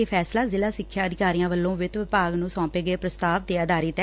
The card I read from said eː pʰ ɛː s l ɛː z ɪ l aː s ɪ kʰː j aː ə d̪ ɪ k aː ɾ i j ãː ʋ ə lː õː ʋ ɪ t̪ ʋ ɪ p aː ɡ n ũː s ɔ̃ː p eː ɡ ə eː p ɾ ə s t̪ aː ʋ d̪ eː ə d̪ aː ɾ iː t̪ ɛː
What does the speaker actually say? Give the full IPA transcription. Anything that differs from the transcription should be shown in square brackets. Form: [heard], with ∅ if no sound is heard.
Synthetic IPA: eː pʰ ɛː s l [aː] z ɪ l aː s ɪ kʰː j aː ə d̪ ɪ k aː ɾ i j ãː ʋ ə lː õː ʋ ɪ t̪ ʋ ɪ p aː ɡ n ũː s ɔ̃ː p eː ɡ ə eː p ɾ ə s t̪ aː ʋ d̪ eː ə d̪ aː ɾ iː t̪ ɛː

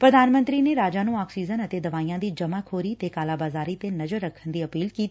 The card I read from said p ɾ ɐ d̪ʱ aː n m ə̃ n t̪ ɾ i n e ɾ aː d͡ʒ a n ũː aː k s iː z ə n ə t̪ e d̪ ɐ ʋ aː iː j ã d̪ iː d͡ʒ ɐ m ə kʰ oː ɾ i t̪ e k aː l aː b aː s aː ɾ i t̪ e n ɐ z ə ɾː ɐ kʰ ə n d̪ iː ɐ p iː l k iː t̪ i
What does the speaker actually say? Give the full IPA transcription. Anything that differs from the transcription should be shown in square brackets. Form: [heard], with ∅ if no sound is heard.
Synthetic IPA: p ɾ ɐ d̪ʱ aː n m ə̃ n t̪ ɾ i n e ɾ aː d͡ʒ a n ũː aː k s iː z ə n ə t̪ e d̪ ɐ ʋ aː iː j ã d̪ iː d͡ʒ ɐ m [a] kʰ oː ɾ i t̪ e k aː l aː b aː [z] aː ɾ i t̪ e n ɐ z ə ɾː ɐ kʰ ə n d̪ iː ɐ p iː l k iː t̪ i

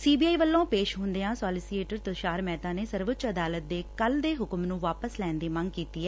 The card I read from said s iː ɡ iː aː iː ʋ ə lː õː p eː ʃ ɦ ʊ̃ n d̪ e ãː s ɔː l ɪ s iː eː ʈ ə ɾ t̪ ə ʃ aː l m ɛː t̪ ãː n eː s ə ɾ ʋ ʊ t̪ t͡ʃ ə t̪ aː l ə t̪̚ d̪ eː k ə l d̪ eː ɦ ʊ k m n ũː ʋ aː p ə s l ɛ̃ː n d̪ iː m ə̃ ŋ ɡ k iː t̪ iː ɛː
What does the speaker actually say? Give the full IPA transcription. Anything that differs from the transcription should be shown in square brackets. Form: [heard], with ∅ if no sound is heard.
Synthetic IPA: s iː [b] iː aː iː ʋ ə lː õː p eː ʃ ɦ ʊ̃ n d̪ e ãː s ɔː l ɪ s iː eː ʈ ə ɾ t̪ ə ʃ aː [ɾ] m ɛː t̪ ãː n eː s ə ɾ ʋ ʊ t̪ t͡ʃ ə [d̪] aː l ə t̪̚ d̪ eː k ə l d̪ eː ɦ ʊ k m n ũː ʋ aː p ə s l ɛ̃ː n d̪ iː m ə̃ ŋ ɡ k iː t̪ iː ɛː

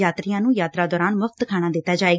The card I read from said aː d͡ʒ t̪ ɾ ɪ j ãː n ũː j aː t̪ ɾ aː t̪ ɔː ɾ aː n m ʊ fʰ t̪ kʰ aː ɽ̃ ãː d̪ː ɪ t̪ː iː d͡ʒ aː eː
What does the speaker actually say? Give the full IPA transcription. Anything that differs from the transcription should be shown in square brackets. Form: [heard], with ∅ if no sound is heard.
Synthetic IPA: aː [∅] t̪ ɾ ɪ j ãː n ũː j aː t̪ ɾ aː [d̪] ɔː ɾ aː n m ʊ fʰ t̪ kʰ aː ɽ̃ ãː [d̪] ɪ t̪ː [aː] d͡ʒ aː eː

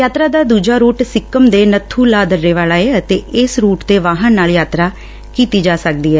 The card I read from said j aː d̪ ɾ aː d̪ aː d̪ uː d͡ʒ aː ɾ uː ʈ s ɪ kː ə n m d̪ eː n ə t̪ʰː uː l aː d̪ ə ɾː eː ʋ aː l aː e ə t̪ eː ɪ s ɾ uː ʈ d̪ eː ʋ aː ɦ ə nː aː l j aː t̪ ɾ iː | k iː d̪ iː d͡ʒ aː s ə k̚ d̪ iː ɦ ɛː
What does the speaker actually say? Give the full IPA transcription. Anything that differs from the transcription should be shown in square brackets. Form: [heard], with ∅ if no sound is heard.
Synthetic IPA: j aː [t̪] ɾ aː d̪ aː d̪ uː d͡ʒ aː ɾ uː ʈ s ɪ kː ə [∅] m d̪ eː n ə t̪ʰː uː l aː d̪ ə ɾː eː ʋ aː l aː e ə t̪ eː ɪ s ɾ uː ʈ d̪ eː ʋ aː ɦ ə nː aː l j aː t̪ ɾ [aː] | k iː [t̪] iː d͡ʒ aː s ə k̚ d̪ iː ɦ ɛː

